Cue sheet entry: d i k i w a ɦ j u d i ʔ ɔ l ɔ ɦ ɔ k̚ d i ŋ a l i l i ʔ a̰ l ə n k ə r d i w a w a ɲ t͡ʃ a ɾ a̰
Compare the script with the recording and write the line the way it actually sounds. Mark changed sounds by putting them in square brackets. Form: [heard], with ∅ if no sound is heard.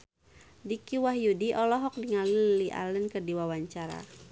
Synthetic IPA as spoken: d i k i w a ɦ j u d i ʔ ɔ l ɔ ɦ ɔ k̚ d i ŋ a l i l i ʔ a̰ l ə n k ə r d i w a w a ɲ t͡ʃ a ɾ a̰